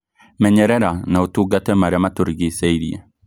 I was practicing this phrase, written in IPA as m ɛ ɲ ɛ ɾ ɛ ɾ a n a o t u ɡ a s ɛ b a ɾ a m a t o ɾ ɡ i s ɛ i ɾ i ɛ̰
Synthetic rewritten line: m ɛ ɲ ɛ ɾ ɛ ɾ a n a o t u ɡ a t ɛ m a ɾ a m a t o ɾ ɡ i s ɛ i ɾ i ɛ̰